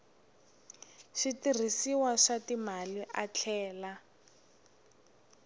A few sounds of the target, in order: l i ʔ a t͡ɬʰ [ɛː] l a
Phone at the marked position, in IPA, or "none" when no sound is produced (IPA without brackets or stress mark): ɛː